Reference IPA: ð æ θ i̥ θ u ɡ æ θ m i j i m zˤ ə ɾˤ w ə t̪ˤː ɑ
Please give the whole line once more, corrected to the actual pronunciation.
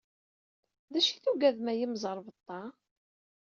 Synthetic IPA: ð æ ʃ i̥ θ u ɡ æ ð m æ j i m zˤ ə ɾˤ v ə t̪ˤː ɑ